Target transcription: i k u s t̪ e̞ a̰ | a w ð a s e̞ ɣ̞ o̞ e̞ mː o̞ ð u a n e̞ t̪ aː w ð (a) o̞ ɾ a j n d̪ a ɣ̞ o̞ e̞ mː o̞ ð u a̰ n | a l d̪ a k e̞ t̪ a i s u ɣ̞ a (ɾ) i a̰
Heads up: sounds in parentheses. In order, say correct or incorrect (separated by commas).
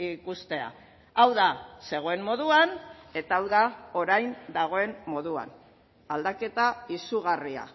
correct, incorrect